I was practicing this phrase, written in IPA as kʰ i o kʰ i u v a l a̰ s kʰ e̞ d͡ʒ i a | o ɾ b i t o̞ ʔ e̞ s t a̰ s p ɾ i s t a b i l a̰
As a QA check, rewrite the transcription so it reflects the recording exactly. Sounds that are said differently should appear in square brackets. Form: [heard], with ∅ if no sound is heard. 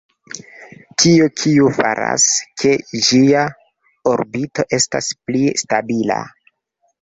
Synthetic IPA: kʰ i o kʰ i u [f] a [ɾ] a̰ s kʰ e̞ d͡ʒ i a | o ɾ b i t o̞ ʔ e̞ s t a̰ s p [l] i s t a b i l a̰